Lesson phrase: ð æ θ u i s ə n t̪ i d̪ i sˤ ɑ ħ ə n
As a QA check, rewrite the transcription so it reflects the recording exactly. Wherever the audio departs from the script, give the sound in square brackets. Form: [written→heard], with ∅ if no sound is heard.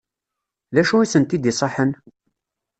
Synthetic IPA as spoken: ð æ [θ→ʃ] u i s ə n t̪ i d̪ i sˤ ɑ ħ ə n